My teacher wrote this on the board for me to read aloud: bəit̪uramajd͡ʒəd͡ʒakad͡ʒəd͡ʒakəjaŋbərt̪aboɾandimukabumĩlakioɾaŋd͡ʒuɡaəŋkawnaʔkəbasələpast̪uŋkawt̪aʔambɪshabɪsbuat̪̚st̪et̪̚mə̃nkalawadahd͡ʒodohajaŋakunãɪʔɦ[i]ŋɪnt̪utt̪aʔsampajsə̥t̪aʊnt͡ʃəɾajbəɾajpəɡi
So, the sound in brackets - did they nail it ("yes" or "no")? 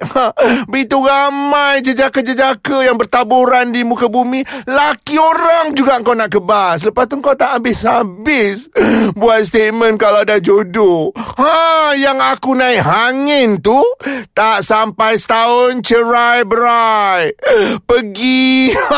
no